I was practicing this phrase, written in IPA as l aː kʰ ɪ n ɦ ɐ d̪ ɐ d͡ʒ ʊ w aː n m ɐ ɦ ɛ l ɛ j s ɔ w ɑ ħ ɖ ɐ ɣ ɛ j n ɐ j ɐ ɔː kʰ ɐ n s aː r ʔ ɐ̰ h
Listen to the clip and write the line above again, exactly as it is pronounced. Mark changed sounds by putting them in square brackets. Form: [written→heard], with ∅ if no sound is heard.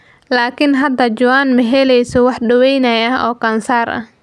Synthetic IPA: l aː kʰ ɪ n ɦ ɐ d̪ ɐ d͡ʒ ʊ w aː n m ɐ ɦ ɛ l ɛ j s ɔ w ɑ ħ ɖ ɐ [ɣ→w] ɛ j n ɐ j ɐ ɔː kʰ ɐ n s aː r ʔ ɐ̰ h